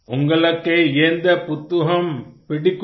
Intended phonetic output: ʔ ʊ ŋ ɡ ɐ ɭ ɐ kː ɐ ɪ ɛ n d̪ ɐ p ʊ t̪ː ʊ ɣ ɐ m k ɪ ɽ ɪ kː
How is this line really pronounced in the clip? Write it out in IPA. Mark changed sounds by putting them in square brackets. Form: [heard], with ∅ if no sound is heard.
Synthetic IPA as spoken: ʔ ʊ ŋ ɡ ɐ ɭ ɐ kː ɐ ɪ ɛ n d̪ ɐ p ʊ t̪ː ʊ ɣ ɐ m [p] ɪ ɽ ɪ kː